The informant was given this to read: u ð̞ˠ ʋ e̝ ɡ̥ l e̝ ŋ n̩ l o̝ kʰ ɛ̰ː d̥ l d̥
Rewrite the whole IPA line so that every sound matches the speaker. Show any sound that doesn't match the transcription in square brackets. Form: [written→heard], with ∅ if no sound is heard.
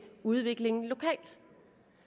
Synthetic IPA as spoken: u ð̞ˠ ʋ e̝ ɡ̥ l e̝ ŋ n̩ l o̝ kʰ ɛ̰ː [d̥→∅] l d̥